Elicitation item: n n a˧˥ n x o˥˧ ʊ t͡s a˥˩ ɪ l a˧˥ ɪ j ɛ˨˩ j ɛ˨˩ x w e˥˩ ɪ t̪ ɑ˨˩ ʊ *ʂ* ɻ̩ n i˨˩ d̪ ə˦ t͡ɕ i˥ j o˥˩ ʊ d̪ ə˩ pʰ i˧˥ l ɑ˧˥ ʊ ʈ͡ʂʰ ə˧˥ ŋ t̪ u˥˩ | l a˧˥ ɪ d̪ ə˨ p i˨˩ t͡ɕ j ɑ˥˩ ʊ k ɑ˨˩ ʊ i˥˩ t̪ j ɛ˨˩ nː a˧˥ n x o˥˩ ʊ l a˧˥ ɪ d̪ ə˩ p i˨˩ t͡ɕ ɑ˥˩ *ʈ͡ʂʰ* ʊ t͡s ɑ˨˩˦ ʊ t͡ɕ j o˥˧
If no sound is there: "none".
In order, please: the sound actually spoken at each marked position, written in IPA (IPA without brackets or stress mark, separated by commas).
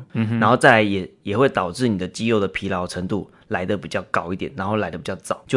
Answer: ʈ͡ʂ, none